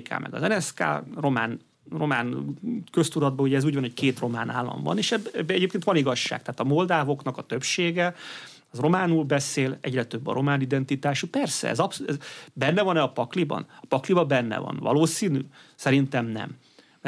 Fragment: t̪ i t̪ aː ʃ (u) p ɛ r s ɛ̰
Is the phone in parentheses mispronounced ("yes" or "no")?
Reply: no